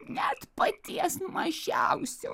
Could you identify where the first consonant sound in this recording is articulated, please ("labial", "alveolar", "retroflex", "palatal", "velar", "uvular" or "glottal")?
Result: alveolar